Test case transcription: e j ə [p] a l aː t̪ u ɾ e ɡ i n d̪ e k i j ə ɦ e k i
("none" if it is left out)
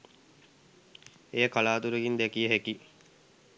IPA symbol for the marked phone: k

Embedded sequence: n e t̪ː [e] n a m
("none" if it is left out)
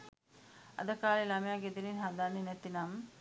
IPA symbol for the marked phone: i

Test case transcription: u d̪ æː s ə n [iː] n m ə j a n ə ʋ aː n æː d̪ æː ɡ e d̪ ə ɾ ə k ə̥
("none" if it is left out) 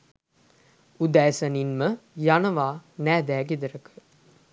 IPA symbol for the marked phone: i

